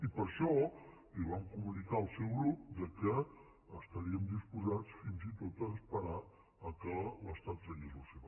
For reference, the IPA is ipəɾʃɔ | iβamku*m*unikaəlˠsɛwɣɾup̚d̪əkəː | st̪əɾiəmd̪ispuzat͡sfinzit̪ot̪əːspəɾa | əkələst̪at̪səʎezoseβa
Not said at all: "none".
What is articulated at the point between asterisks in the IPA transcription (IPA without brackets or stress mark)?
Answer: m